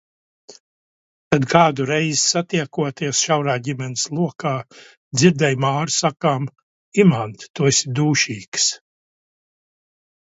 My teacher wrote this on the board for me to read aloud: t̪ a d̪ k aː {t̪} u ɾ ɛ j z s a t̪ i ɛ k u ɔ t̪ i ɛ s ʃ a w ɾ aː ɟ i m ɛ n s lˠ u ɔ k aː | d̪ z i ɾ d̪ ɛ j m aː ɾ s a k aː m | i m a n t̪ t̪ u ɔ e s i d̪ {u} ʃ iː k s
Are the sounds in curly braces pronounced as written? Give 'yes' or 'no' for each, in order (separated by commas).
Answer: no, no